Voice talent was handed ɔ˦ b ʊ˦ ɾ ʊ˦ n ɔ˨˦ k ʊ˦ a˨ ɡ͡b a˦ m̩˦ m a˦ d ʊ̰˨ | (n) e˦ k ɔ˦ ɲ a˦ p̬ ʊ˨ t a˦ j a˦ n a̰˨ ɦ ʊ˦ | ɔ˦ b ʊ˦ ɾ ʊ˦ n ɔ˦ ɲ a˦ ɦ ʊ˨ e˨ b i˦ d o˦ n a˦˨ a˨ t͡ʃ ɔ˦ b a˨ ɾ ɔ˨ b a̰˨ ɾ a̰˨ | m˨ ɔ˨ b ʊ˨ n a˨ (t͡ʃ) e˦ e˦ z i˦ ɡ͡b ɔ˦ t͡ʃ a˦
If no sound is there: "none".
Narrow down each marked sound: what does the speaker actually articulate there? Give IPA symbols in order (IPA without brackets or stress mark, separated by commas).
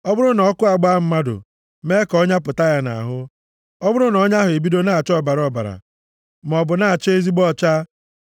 m, t͡ʃ